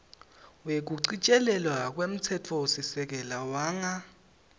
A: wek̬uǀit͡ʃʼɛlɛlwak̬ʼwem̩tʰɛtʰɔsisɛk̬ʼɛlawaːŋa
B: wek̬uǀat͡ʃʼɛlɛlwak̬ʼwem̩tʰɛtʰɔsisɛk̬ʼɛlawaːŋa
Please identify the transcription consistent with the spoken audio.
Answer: A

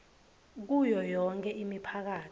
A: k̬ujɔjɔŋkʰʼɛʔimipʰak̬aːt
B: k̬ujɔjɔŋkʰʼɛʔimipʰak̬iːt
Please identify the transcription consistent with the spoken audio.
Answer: A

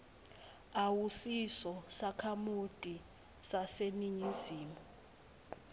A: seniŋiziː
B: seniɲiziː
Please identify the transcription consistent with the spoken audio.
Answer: B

